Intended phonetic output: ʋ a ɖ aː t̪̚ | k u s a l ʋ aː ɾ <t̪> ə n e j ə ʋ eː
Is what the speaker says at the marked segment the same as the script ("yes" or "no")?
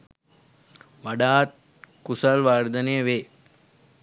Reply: no